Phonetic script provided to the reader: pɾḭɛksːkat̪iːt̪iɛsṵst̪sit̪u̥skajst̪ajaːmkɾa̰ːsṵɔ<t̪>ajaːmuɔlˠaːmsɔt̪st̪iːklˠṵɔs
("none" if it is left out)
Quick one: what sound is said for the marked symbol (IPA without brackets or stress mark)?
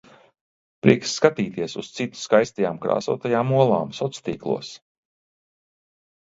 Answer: t̪